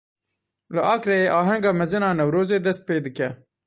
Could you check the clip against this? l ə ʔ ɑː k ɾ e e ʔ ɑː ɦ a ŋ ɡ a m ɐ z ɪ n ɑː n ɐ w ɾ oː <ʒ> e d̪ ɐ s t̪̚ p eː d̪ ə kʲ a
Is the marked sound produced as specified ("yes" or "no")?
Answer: no